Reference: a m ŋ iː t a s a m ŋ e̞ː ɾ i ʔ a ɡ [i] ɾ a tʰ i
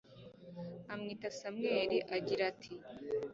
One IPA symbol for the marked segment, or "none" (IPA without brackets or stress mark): i